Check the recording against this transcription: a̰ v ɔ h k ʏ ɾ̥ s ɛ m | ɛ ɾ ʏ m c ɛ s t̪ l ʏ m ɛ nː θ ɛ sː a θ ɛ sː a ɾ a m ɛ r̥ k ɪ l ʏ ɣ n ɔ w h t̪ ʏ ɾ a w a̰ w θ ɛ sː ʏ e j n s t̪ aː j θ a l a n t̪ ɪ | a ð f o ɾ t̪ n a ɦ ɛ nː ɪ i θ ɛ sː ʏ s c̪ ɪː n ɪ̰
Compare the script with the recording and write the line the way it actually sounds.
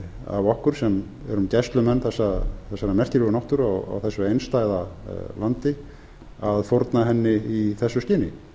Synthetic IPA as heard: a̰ v ɔ h k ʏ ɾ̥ s ɛ m | ɛ ɾ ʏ m c ɛ s t̪ l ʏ m ɛ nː θ ɛ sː a θ ɛ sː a ɾ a m ɛ r̥ c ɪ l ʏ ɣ n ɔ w h t̪ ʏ ɾ a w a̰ w θ ɛ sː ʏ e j n s t̪ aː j ð a l a n t̪ ɪ | a ð f o ɾ t̪ n a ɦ ɛ nː ɪ i θ ɛ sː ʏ s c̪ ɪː n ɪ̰

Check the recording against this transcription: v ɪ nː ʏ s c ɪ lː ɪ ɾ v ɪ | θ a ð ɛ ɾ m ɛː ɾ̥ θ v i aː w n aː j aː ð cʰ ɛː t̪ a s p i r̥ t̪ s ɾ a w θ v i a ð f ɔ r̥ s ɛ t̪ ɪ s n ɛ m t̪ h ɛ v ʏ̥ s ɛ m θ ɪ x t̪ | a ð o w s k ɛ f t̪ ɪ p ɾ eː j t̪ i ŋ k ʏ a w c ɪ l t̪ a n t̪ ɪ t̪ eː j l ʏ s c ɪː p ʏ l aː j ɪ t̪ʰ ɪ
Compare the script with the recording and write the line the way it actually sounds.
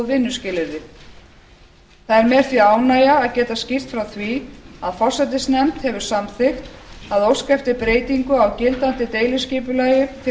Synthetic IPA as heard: v ɪ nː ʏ s c ɪ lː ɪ ɾ ð ɪ | θ a ð ɛ ɾ m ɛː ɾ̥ θ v i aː w n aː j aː ð c ɛː t̪ a s c i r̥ t̪ f ɾ a w θ v i a ð f ɔ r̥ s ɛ t̪ ɪ s n ɛ m t̪ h ɛ v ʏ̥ s a m θ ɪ x t̪ | a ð o w s k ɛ f t̪ ɪ p ɾ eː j t̪ i ŋ k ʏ a w c ɪ l t̪ a n t̪ ɪ t̪ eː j l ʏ s c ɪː p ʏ l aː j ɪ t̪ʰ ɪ

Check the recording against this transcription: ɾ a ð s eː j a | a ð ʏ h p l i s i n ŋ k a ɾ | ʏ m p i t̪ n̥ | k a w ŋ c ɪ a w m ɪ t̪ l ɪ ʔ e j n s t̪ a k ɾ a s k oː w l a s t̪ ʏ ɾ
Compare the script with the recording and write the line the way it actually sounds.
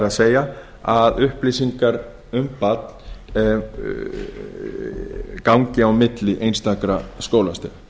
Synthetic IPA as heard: ɾ a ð s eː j a | a ð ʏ h p l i s i ŋ k a ɾ | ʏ m p a t̪ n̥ | k a w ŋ c ɪ a w m ɪ t̪ l ɪ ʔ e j n s t̪ a k ɾ a s k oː w l a s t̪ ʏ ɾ

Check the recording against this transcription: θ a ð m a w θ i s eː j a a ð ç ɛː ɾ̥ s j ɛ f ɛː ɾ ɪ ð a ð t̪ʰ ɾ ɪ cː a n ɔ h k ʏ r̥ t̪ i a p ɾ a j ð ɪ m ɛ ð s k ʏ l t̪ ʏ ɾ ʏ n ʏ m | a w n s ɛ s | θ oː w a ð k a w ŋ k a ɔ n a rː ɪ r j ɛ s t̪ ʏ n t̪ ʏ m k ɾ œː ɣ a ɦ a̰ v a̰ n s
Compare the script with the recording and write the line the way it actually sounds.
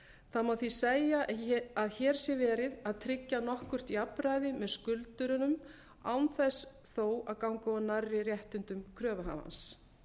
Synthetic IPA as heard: θ a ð m a w θ i s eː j a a ð ç ɛː ɾ̥ s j ɛ v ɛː ɾ ɪ ð a ð t̪ʰ ɾ ɪ cː a n ɔ h k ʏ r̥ t̪ i a p ɾ a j ð ɪ m ɛ ð s k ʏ l t̪ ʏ ɾ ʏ n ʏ m | a w n θ ɛ s | θ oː w a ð k a w ŋ k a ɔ n a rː ɪ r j ɛ h t̪ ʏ n t̪ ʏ m kʰ ɾ œː v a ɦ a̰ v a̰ n s

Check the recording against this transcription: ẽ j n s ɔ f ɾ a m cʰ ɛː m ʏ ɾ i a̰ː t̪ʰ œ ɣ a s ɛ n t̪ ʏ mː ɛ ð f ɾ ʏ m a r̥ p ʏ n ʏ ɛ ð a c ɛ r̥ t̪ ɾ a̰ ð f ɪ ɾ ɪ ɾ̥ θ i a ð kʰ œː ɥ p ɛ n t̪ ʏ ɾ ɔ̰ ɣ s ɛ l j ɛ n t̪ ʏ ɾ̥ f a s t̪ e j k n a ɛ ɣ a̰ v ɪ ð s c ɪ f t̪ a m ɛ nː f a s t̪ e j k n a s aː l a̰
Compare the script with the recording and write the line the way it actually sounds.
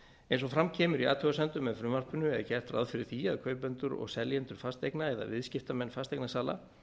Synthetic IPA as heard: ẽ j n s ɔ f ɾ a m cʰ ɛː m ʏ ɾ i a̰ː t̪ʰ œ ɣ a s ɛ n t̪ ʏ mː ɛ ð f ɾ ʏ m a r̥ p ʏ n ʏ ɛ ð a c ɛ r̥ t̪ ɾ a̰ ð f ɪ ɾ ɪ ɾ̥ θ i a ð kʰ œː ɥ p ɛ n t̪ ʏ ɾ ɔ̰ ɣ s ɛ l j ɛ n t̪ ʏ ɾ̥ f a s t̪ e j k n a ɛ ð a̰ v ɪ ð s c ɪ f t̪ a m ɛ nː f a s t̪ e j k n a s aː l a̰

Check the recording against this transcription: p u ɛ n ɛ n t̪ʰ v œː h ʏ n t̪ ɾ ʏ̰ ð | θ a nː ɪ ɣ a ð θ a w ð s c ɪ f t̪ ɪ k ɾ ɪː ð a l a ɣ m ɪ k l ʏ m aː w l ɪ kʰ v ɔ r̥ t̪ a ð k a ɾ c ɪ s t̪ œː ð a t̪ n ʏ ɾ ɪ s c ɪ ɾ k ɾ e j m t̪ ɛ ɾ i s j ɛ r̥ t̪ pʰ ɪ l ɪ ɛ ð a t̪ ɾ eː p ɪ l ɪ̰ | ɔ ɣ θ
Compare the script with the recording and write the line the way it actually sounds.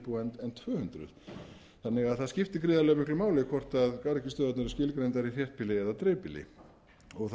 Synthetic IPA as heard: p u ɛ n ɛ n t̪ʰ v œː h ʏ n t̪ ɾ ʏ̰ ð | θ a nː ɪ ɣ a ð θ a ð s c ɪ f t̪ ɪ k ɾ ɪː ð a l ɛ ɣ m ɪ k l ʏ m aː w l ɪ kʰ v ɔ r̥ t̪ a ð k a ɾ c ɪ s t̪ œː ð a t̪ n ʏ ɾ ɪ s c ɪ l k ɾ e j n t̪ a ɾ i θ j ɛ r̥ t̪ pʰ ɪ l ɪ ɛ ð a t̪ ɾ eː p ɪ l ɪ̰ | ɔ ɣ θ

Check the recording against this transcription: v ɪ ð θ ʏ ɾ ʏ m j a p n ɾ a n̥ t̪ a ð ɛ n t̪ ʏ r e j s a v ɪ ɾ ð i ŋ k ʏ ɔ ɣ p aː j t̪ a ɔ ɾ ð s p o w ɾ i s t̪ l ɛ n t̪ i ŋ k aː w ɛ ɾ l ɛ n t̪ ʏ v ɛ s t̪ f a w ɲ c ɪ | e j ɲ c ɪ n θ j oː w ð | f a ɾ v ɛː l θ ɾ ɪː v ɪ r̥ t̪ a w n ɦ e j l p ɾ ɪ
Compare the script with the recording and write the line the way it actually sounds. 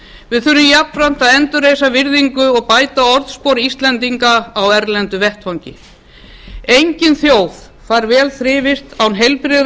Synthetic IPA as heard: v ɪ ð θ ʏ ɾ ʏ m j a p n ɾ a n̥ t̪ a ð ɛ n t̪ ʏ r e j s a v ɪ ɾ ð i ŋ k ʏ ɔ ɣ p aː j t̪ a ɔ ɾ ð s p o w ɾ i s t̪ l ɛ n t̪ i ŋ k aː w ɛ ɾ l ɛ n t̪ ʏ v ɛ h t̪ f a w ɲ c ɪ | e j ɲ c ɪ n θ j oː w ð | f a ɾ v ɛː l θ ɾ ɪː v ɪ r̥ t̪ a w n ɦ e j l p ɾ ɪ

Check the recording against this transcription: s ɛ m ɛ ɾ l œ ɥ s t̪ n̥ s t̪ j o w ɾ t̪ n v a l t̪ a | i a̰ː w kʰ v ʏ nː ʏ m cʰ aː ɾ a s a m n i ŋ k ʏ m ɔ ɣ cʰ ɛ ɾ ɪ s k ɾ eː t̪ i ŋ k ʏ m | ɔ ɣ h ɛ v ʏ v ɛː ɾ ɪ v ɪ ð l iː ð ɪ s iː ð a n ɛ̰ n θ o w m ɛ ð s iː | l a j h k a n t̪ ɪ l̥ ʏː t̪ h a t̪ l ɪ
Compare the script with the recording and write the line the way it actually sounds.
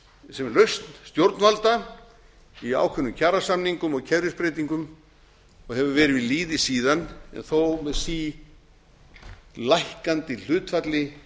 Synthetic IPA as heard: s ɛ m ɛ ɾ l œ ɥ s t̪ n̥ s t̪ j o w ɾ t̪ n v a l t̪ a | i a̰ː w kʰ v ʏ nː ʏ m cʰ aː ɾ a s a m n i ŋ k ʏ m ɔ ɣ cʰ ɛ ɾ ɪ s p ɾ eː t̪ i ŋ k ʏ m | ɔ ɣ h ɛ v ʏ v ɛː ɾ ɪ v ɪ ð l iː ð ɪ s iː ð a n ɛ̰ n θ o w m ɛ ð s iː | l a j h k a n t̪ ɪ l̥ ʏː t̪ f a t̪ l ɪ

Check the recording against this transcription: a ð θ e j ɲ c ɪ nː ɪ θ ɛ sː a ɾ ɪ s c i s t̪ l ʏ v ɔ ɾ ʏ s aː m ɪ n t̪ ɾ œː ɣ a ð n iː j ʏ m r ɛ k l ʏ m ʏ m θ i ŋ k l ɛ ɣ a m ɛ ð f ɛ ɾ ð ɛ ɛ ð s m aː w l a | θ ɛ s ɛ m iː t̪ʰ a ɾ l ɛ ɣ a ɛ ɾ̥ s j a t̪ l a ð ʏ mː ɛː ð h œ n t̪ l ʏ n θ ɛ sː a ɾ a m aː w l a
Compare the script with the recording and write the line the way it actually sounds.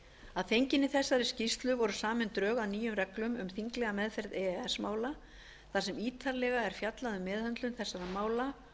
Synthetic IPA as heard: a ð θ e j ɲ c ɪ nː ɪ θ ɛ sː a ɾ ɪ s c i s t̪ l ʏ v ɔ ɾ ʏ s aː m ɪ n t̪ ɾ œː ɣ a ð n iː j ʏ m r ɛ k l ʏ m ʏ m θ i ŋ k l ɛ ɣ a m ɛ ð f ɛ ɾ ð ɛ ɛ s m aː w l a | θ a s ɛ m iː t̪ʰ a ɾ l ɛ ɣ a ɛ ɾ̥ f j a t̪ l a ð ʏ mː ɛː ð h œ n t̪ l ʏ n θ ɛ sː a ɾ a m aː w l a

